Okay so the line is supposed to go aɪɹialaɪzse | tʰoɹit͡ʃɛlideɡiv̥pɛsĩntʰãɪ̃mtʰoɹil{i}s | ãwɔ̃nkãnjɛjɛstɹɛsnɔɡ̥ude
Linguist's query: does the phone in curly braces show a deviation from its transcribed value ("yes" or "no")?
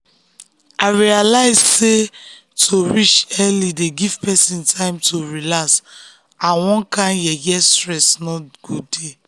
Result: yes